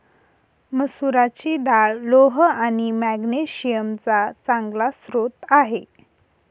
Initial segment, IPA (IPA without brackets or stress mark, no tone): m